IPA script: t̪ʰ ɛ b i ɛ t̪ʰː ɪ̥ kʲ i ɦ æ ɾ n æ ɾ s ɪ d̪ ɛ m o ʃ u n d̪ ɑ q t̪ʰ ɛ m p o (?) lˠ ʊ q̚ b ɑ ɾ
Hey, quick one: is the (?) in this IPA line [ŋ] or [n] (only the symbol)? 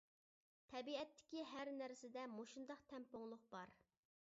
ŋ